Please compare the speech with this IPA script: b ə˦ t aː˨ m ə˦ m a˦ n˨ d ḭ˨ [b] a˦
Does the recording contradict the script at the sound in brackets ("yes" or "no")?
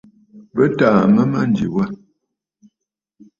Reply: yes